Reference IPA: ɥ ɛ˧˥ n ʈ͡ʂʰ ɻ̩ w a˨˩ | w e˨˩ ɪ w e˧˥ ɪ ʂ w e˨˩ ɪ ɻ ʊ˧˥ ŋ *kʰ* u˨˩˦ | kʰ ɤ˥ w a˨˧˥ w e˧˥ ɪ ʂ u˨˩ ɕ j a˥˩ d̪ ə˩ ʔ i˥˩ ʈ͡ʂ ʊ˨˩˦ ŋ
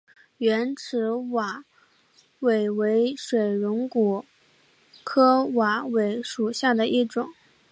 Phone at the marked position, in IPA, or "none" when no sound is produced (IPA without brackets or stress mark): k